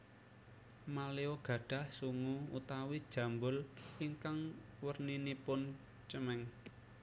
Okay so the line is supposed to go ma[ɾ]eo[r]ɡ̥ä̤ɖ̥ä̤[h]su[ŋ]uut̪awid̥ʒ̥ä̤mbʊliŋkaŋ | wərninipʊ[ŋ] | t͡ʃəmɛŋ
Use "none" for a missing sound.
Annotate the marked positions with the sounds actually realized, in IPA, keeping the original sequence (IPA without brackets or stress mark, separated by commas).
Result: l, none, h, ŋ, n